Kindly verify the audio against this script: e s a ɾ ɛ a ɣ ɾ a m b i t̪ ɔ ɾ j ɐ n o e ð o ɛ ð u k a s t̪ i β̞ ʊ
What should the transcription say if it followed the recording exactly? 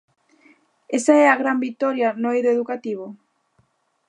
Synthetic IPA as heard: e s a ɛ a ɣ ɾ a m b i t̪ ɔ ɾ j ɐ n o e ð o e ð u k a t̪ i β̞ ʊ